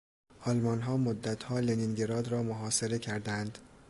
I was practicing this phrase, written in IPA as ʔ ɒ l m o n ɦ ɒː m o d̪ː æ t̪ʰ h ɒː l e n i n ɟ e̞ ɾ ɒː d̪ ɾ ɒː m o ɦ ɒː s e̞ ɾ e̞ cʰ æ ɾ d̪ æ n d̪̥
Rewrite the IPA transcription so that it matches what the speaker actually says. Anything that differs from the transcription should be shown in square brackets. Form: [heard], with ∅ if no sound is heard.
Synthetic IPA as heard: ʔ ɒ l m [ɒ] n ɦ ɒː m o d̪ː æ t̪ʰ h ɒː l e n i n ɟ e̞ ɾ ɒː d̪ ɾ ɒː m o ɦ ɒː s e̞ ɾ e̞ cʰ æ ɾ d̪ æ n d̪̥